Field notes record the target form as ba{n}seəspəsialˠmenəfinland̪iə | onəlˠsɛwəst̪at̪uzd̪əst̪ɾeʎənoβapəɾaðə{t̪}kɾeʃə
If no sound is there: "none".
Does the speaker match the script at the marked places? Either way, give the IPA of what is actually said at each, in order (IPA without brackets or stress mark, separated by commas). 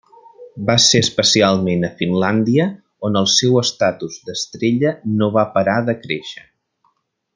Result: none, none